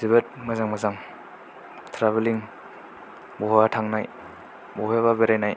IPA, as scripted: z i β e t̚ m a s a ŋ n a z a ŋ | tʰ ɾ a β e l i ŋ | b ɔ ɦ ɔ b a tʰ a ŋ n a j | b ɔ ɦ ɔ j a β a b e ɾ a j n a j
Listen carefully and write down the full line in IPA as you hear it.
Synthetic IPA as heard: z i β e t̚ m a z a ŋ m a z a ŋ | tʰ ɾ a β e l i ŋ | b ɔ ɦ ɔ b a tʰ a ŋ n a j | b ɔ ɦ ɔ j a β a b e ɾ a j n a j